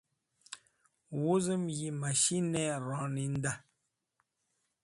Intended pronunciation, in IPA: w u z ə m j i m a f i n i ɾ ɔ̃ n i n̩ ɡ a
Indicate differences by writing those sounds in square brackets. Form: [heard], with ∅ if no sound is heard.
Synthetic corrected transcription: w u z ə m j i m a [ʃ] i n [ɛ] ɾ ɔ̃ n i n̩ [d] a